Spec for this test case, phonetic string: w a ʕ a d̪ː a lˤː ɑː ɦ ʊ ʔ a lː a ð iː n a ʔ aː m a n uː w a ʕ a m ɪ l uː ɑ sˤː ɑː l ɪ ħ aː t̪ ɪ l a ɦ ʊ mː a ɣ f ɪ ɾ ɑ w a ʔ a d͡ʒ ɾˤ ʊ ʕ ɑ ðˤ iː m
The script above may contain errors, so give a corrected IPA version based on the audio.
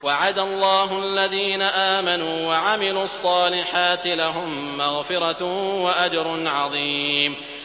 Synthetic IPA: w a ʕ a d̪ a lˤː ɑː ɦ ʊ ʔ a lː a ð iː n a ʔ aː m a n uː w a ʕ a m ɪ l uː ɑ sˤː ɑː l ɪ ħ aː t̪ ɪ l a ɦ ʊ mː a ɣ f ɪ ɾ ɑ w a ʔ a d͡ʒ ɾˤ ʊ ʕ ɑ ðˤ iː m